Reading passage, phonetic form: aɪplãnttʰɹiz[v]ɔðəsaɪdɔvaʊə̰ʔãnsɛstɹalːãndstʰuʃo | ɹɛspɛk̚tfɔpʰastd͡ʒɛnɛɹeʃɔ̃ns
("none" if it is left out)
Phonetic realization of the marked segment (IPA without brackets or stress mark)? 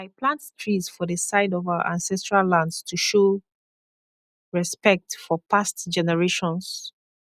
f